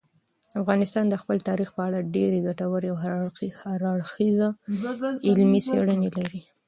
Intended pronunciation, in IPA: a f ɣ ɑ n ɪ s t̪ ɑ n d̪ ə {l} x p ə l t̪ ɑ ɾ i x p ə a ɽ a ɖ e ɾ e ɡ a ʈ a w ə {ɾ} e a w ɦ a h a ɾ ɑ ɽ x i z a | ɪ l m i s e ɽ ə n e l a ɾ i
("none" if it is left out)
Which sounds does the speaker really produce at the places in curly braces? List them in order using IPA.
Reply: none, ɾ

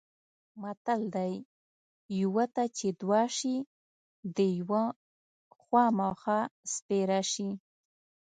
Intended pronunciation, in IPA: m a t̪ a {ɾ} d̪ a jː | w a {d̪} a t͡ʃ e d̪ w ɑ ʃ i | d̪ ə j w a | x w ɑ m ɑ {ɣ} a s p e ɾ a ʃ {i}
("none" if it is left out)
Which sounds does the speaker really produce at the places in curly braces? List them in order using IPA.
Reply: l, t̪, x, i

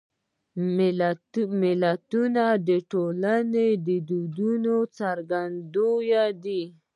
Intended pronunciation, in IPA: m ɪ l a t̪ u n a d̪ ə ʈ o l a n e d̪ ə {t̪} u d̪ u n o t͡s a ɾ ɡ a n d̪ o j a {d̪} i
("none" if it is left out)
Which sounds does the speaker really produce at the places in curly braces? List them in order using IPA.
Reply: d̪, d̪

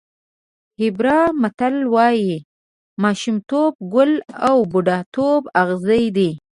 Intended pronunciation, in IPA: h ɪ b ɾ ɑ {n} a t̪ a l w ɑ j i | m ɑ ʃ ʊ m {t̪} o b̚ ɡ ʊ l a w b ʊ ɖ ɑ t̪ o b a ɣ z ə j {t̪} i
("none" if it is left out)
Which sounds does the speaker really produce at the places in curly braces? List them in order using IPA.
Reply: m, t̪, d̪

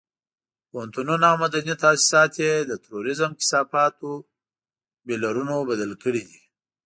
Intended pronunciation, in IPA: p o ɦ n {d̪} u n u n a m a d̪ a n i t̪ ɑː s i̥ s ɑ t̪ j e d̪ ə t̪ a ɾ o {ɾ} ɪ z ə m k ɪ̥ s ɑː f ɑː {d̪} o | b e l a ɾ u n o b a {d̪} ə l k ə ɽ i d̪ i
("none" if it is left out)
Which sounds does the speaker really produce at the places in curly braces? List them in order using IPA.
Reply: t̪, ɾ, t̪, d̪

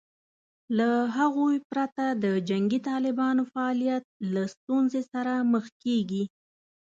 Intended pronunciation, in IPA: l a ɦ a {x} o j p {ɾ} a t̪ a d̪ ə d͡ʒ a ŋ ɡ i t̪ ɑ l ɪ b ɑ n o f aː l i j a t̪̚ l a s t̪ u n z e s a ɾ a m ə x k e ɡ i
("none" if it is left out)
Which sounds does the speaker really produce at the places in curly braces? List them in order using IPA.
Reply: ɣ, ɾ

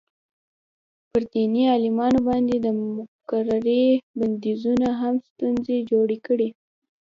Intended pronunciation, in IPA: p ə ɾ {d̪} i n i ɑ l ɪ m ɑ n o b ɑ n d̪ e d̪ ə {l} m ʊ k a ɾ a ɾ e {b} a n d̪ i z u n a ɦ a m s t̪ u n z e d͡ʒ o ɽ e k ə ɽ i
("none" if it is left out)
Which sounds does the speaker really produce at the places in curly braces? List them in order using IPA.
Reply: d̪, none, b

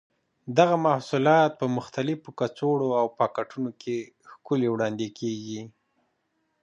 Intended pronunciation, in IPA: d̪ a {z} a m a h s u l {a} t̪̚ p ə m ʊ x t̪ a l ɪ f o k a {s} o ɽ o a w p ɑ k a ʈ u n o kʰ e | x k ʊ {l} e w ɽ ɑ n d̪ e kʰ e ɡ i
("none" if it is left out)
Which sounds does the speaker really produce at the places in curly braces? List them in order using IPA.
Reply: ɣ, ɑ, t͡s, l

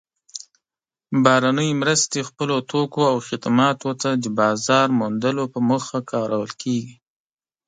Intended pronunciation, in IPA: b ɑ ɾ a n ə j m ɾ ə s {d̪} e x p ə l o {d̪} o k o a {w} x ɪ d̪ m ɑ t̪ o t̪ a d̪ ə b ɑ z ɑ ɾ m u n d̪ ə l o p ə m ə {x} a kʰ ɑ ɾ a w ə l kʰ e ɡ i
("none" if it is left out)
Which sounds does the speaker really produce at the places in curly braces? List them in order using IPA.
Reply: t̪, t̪, w, x

